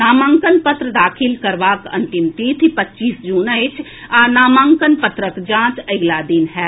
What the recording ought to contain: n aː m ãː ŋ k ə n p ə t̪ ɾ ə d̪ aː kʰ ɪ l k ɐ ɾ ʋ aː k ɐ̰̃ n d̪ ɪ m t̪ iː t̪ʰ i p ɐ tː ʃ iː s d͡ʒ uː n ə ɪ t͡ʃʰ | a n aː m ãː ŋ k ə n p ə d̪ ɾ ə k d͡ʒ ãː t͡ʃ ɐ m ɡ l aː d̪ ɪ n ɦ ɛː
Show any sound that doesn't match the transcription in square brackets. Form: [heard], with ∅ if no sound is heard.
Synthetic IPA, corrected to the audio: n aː m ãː ŋ k ə n p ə t̪ ɾ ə d̪ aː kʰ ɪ l k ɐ ɾ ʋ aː k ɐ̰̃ n [t̪] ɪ m t̪ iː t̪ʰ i p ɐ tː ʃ iː s d͡ʒ uː n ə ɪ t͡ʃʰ | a n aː m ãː ŋ k ə n p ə [t̪] ɾ ə k d͡ʒ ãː t͡ʃ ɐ [∅] ɡ l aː d̪ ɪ n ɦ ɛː